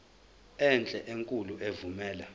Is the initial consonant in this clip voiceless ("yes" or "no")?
no